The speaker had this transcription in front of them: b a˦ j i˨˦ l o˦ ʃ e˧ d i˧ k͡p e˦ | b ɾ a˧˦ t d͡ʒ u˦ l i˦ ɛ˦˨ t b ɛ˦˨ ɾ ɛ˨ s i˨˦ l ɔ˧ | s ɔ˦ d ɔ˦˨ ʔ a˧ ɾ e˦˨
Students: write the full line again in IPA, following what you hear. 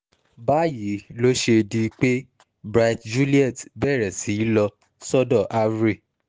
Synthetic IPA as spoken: b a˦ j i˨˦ l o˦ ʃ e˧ d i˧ k͡p e˦ | b ɾ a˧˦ t d͡ʒ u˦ l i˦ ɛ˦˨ t b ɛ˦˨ ɾ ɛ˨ s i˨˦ l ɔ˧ | s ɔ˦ d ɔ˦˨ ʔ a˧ ɾ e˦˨